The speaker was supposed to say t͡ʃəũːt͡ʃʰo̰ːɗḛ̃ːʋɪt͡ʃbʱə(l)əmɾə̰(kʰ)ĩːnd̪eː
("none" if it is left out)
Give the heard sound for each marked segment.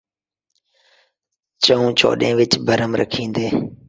ɾ, kʰ

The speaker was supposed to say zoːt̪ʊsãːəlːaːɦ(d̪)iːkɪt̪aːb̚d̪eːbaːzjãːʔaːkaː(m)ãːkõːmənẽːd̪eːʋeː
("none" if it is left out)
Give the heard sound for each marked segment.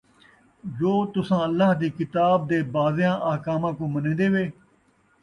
d̪, m

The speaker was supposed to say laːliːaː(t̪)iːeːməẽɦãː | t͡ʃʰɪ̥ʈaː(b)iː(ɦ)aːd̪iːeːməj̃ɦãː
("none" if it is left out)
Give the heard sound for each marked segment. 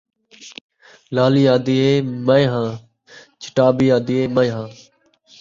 d̪, b, none

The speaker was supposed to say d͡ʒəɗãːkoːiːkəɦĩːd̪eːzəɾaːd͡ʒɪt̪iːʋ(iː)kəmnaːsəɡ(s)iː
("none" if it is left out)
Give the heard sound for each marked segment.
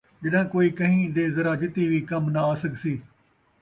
iː, s

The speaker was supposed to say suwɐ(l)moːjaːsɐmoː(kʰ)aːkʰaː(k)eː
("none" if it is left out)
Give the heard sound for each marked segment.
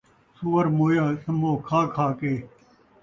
ɾ, kʰ, k

